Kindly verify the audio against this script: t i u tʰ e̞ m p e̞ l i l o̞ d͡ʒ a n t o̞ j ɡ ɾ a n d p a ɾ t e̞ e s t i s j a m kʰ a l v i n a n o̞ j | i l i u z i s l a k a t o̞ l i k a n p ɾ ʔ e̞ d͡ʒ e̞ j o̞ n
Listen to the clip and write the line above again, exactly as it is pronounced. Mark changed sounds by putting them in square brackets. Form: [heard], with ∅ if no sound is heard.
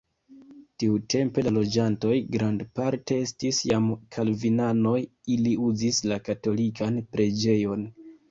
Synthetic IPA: t i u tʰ e̞ m p e̞ l [a] l o̞ d͡ʒ a n t o̞ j ɡ ɾ a n d p a ɾ t e̞ e s t i s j a m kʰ a l v i n a n o̞ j | i l i u z i s l a k a t o̞ l i k a n p ɾ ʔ e̞ d͡ʒ e̞ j o̞ n